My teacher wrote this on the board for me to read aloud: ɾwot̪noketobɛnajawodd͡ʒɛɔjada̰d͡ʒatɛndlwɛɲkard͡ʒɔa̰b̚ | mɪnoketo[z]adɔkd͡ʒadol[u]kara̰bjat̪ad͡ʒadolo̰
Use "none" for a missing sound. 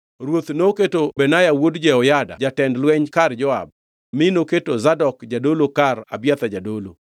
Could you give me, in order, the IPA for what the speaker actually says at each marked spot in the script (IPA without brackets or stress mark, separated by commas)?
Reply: z, o